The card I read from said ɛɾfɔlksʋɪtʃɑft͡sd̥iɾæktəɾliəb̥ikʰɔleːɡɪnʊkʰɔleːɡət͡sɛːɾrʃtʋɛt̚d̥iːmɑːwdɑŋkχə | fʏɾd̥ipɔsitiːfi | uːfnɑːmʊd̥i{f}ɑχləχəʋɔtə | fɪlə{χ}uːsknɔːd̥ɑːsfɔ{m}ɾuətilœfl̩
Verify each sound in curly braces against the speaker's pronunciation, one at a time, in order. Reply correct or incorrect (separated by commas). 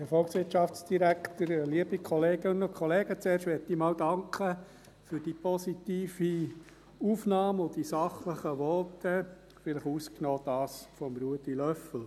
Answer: incorrect, correct, correct